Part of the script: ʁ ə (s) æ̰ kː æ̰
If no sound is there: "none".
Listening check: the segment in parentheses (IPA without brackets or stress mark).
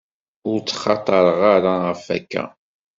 f